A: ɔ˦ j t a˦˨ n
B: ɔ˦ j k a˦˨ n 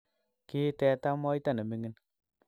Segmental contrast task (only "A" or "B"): A